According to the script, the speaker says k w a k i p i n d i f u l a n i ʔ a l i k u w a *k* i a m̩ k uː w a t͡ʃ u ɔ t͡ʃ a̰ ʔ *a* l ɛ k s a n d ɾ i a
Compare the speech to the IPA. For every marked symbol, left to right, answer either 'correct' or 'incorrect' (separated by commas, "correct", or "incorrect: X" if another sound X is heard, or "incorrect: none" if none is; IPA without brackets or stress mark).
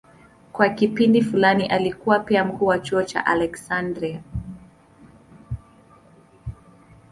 incorrect: p, correct